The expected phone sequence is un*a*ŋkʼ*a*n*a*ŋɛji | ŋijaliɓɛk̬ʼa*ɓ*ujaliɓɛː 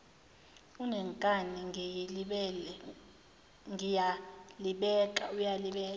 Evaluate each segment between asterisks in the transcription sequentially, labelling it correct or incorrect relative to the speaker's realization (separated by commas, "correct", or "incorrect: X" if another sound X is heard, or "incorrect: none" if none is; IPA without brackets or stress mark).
incorrect: ɛ, correct, incorrect: i, incorrect: none